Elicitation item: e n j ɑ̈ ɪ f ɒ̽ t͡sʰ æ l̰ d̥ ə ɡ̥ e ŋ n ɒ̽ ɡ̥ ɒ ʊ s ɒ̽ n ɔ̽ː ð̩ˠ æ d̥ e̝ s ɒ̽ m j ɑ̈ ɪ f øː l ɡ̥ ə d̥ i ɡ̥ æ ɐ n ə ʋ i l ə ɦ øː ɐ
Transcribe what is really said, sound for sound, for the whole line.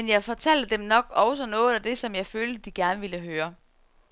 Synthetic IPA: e n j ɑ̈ ɪ f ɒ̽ t͡sʰ æ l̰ d̥ ə d̥ e m n ɒ̽ ɡ̥ ɒ ʊ s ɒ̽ n ɔ̽ː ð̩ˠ æ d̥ e̝ s ɒ̽ m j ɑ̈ ɪ f øː l d̥ ə d̥ i ɡ̥ æ ɐ n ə ʋ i l ə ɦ øː ɐ